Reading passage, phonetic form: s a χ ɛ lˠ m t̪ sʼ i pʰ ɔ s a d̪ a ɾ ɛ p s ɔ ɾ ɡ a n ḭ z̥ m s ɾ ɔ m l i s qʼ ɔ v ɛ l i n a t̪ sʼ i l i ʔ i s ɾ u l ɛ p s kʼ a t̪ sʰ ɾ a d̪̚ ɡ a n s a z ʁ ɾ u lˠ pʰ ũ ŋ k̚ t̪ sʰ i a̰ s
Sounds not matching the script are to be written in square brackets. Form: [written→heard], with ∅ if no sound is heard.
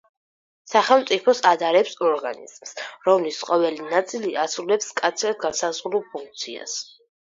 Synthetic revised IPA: s a χ ɛ lˠ m t̪ sʼ i pʰ ɔ s a d̪ a ɾ ɛ p s ɔ ɾ ɡ a n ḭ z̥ m s ɾ ɔ m l i s qʼ ɔ v ɛ l i n a t̪ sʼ i l i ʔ [i→a] s ɾ u l ɛ p s kʼ a t̪ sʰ ɾ a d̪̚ ɡ a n s a z ʁ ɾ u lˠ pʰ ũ ŋ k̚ t̪ sʰ i a̰ s